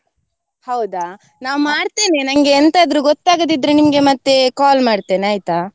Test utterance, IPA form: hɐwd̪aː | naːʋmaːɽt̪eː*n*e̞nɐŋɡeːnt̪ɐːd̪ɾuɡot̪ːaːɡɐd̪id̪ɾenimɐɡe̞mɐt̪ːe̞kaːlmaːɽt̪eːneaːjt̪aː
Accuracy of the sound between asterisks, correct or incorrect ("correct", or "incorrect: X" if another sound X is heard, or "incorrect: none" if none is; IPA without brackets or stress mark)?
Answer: correct